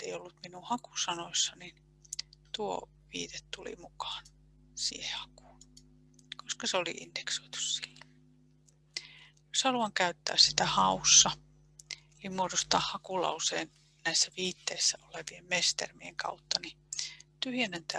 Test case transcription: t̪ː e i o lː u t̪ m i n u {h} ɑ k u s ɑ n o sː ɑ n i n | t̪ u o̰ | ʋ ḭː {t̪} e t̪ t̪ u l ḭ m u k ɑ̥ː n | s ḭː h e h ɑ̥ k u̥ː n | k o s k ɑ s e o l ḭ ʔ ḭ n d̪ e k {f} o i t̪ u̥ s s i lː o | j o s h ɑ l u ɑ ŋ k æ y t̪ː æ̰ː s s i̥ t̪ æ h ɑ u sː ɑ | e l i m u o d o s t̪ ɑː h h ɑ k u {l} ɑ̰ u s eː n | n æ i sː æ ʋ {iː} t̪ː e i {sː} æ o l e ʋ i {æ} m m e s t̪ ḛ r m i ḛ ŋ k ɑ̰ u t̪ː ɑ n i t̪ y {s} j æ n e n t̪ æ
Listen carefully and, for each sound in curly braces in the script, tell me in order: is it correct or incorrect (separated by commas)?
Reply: correct, correct, incorrect, correct, correct, correct, incorrect, incorrect